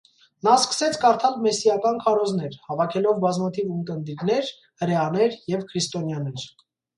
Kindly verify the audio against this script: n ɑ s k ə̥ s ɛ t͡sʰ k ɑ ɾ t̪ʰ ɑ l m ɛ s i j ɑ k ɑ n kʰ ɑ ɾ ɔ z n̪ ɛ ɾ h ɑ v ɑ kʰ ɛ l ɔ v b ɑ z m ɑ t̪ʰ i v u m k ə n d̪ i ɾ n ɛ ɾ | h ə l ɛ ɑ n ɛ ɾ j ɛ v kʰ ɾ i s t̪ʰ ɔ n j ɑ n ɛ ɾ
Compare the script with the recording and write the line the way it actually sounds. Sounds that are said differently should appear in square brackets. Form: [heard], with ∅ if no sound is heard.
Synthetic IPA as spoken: n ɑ s k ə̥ s ɛ t͡sʰ k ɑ ɾ t̪ʰ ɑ l m ɛ s i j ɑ k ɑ n kʰ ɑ ɾ ɔ z n̪ ɛ ɾ h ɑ v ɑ kʰ ɛ l ɔ v b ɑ z m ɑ t̪ʰ i v u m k ə n d̪ i ɾ n ɛ ɾ | h ə [ɾ] ɛ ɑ n ɛ ɾ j ɛ v kʰ ɾ i s [t̪] ɔ n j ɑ n ɛ ɾ